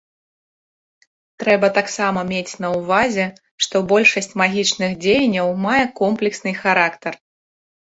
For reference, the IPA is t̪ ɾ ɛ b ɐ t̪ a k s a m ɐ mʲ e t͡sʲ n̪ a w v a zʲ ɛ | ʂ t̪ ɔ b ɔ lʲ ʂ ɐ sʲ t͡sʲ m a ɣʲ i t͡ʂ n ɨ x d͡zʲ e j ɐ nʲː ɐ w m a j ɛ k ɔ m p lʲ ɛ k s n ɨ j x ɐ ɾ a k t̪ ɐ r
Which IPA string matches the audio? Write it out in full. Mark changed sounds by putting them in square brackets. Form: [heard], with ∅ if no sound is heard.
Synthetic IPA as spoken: t̪ ɾ ɛ b ɐ t̪ a k s a m ɐ mʲ e t͡sʲ n̪ [ɐ] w v a zʲ ɛ | ʂ t̪ ɔ b ɔ lʲ ʂ ɐ sʲ t͡sʲ m a ɣʲ i t͡ʂ n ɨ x d͡zʲ e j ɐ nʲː ɐ w m a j ɛ k ɔ m p lʲ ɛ k s n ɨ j x [a] ɾ a k t̪ ɐ r